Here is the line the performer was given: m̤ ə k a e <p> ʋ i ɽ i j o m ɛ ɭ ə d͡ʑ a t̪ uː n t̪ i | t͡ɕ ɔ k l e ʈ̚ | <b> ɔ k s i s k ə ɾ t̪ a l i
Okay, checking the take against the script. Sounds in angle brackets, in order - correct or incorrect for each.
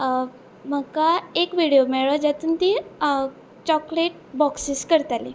incorrect: k, correct

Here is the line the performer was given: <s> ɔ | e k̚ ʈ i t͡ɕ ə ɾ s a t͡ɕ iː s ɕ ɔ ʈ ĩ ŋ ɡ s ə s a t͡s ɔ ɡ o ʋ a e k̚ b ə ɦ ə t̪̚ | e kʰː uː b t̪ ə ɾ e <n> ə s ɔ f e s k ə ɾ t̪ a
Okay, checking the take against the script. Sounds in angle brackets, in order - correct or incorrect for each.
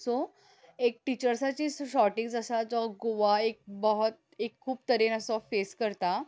correct, correct

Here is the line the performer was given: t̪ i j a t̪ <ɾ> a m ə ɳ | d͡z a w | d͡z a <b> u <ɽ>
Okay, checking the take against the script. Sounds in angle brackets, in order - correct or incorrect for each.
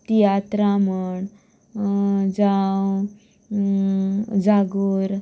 correct, incorrect: ɡ, incorrect: ɾ

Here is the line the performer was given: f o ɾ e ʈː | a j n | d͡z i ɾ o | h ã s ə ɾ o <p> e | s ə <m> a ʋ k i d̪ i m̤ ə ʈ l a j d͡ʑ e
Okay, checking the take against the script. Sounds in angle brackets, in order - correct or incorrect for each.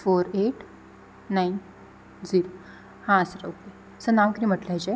incorrect: k, incorrect: n

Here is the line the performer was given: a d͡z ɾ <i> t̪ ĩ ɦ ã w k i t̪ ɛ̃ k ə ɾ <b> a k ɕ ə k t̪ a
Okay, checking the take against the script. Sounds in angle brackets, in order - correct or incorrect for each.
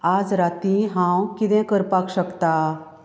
incorrect: a, incorrect: p

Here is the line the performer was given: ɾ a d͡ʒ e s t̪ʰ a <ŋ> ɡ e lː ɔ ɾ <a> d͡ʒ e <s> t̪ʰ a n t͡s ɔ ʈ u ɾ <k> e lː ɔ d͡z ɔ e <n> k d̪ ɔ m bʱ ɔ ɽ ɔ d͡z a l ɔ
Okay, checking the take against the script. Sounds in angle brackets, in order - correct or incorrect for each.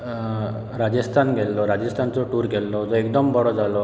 incorrect: n, correct, correct, incorrect: ɡ, incorrect: none

